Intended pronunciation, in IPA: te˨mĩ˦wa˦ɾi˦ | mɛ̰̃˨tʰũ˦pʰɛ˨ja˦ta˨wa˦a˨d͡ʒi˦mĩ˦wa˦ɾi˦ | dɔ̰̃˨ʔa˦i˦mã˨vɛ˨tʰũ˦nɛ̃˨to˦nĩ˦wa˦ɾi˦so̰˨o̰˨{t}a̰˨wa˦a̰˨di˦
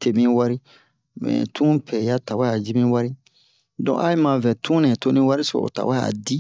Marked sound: correct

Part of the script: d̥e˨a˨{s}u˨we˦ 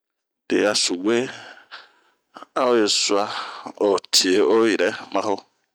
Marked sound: correct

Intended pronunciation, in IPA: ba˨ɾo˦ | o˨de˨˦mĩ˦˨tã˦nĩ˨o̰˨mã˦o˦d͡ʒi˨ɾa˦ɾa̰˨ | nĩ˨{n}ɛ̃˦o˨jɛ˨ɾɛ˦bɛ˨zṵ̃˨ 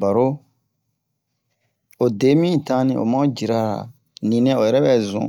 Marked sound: correct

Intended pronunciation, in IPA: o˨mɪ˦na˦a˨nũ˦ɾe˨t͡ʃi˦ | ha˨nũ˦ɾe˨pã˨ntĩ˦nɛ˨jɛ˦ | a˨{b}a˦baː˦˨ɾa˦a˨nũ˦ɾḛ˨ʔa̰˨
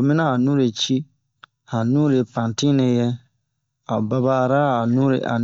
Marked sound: correct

